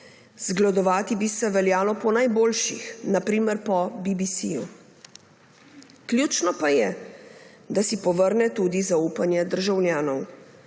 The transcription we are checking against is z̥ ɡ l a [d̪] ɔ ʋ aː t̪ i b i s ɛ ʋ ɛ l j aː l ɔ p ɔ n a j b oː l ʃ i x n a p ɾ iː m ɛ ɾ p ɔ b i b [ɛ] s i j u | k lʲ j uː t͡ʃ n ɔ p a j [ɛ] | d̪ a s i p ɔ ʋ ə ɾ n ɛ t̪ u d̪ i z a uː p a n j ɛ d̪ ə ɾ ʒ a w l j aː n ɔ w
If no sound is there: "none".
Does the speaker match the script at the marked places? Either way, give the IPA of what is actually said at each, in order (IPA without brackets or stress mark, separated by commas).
d̪, i, ɛ